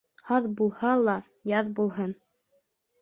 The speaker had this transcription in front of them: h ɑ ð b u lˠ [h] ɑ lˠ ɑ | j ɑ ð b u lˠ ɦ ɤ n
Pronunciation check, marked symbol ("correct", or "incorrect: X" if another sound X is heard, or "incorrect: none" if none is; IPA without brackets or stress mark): correct